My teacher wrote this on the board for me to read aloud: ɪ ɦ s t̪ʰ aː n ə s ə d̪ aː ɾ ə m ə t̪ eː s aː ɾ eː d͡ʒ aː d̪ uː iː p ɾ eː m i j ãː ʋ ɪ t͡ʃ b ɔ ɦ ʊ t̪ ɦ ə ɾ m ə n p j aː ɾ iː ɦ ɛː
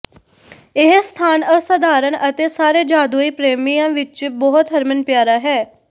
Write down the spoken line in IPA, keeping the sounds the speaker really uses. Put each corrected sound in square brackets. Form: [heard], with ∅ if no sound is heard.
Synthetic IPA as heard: ɪ ɦ s t̪ʰ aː n ə s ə d̪ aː ɾ ə [n] ə t̪ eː s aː ɾ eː d͡ʒ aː d̪ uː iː p ɾ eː m i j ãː ʋ ɪ t͡ʃ b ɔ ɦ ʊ t̪ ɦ ə ɾ m ə n p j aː ɾ [aː] ɦ ɛː

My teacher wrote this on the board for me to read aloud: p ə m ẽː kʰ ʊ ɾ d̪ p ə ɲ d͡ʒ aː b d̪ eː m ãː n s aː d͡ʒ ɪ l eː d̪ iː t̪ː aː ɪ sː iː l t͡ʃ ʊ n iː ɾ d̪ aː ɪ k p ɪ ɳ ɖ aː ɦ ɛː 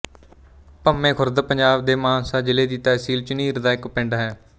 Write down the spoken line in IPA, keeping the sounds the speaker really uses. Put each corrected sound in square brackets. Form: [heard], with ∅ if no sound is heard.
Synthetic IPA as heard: p ə m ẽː kʰ ʊ ɾ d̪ p ə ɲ d͡ʒ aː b d̪ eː m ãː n s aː d͡ʒ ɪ l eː d̪ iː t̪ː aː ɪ [s] iː l t͡ʃ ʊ n iː ɾ d̪ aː ɪ k p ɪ ɳ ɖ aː ɦ ɛː

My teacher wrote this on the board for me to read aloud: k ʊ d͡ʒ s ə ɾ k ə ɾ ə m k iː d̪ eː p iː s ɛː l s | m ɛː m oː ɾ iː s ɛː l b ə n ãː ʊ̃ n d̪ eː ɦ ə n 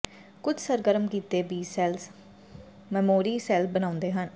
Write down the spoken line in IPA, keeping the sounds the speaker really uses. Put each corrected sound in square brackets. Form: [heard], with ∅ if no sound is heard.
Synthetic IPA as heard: k ʊ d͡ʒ s ə ɾ [ɡ] ə ɾ ə m k iː [t̪] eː [b] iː s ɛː l s | m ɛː m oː ɾ iː s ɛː l b ə n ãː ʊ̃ n d̪ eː ɦ ə n

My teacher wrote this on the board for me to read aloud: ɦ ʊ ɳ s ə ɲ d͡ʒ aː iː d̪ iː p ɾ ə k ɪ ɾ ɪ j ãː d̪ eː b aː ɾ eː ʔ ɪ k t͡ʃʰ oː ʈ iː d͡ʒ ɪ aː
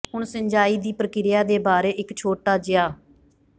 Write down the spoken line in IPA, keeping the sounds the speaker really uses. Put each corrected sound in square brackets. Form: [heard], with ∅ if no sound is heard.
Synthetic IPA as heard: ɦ ʊ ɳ s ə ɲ d͡ʒ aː iː d̪ iː p ɾ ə k ɪ ɾ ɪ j [aː] d̪ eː b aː ɾ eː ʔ ɪ k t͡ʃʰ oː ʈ [aː] d͡ʒ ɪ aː

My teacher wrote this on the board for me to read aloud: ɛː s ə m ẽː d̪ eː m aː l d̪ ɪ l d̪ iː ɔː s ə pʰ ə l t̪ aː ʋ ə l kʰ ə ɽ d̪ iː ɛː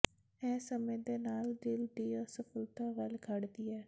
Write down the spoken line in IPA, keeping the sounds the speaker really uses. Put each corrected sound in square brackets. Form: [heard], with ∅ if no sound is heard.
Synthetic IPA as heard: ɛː s ə m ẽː d̪ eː [n] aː l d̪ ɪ l d̪ iː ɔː s ə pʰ ə l t̪ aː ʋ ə l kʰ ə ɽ d̪ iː ɛː

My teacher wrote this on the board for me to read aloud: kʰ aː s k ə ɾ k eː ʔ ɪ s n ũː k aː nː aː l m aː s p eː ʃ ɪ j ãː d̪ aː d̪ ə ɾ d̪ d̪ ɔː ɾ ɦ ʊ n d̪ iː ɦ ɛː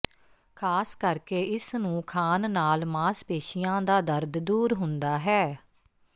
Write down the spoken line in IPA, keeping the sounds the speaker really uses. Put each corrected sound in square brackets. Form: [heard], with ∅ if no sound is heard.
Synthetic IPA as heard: kʰ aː s k ə ɾ k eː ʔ ɪ s n ũː [kʰ] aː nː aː l m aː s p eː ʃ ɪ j ãː d̪ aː d̪ ə ɾ d̪ d̪ [uː] ɾ ɦ ʊ n d̪ [aː] ɦ ɛː

